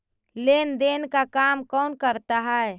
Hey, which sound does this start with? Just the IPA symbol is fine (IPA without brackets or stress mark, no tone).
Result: l